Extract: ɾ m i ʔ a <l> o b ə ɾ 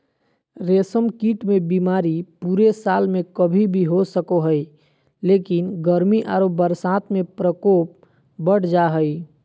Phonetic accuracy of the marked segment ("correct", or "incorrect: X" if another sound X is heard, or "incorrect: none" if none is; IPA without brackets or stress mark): incorrect: ɾ